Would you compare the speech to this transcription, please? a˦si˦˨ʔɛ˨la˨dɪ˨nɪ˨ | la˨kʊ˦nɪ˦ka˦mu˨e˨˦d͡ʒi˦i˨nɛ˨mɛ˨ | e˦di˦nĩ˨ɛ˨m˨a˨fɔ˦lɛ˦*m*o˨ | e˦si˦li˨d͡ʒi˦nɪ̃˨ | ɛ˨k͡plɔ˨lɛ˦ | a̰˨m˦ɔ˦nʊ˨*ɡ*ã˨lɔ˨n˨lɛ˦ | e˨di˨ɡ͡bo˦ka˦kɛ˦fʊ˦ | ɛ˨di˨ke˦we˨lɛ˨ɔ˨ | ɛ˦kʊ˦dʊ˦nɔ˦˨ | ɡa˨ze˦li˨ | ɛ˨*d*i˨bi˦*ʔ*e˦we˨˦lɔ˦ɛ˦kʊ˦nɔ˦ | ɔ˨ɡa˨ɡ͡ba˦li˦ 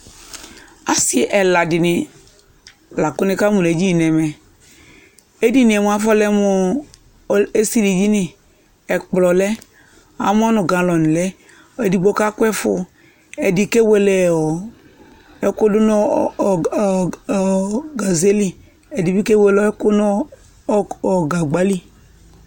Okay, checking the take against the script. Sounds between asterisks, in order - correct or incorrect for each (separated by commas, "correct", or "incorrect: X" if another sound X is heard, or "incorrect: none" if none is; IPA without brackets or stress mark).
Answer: correct, correct, correct, incorrect: k